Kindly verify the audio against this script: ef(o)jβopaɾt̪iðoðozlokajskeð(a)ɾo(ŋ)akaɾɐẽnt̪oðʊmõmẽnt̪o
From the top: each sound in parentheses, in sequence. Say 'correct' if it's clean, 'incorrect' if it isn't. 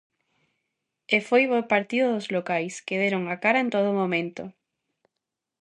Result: correct, incorrect, correct

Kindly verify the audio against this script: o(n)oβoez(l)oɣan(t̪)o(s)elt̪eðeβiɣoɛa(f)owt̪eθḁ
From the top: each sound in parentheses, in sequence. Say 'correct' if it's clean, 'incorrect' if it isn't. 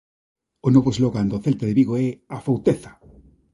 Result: correct, correct, incorrect, incorrect, correct

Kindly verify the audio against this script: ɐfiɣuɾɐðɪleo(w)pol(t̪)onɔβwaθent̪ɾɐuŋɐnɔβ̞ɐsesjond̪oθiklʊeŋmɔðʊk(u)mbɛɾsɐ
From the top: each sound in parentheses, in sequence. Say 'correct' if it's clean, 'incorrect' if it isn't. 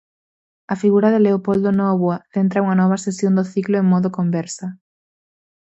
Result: incorrect, incorrect, incorrect

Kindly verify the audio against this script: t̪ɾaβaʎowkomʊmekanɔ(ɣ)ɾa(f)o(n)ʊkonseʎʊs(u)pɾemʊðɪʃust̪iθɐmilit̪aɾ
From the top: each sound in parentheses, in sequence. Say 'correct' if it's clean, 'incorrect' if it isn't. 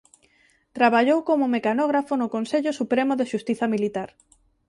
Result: correct, correct, correct, correct

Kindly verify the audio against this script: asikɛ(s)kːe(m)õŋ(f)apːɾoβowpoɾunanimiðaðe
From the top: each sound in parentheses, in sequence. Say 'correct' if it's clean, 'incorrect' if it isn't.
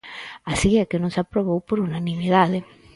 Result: incorrect, incorrect, incorrect

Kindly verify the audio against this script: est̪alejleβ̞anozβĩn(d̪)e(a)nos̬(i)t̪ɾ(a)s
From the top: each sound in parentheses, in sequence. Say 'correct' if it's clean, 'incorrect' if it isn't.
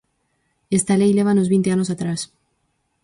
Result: incorrect, correct, incorrect, correct

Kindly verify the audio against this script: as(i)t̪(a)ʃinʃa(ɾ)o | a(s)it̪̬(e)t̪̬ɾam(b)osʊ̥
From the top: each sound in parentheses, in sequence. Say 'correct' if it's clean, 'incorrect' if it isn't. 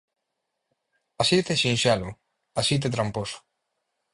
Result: correct, incorrect, incorrect, correct, correct, incorrect

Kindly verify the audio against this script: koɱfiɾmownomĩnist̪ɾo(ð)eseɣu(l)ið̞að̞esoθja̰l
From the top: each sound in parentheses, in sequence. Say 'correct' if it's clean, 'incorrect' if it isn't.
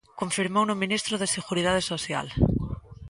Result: correct, incorrect

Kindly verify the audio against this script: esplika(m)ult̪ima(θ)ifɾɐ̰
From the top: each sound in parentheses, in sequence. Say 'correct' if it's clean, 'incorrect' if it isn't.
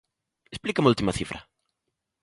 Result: correct, correct

